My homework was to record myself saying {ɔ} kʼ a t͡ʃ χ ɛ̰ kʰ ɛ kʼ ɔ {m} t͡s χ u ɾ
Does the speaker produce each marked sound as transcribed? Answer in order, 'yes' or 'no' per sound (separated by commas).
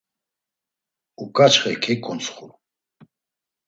no, no